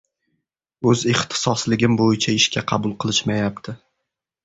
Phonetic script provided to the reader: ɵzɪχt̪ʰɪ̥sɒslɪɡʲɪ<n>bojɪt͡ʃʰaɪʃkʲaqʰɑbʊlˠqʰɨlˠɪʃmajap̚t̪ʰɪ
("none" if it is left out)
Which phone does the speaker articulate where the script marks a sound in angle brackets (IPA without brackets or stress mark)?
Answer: m